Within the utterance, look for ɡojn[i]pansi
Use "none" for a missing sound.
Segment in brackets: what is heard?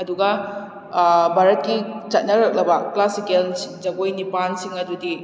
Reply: i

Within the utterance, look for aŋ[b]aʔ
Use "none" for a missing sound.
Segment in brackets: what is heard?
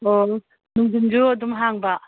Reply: b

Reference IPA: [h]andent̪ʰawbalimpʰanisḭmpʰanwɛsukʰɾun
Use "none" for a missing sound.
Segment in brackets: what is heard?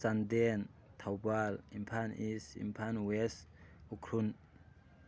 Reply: s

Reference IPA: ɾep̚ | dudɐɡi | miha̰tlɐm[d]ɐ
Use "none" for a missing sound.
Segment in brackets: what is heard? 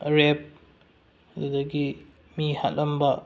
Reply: b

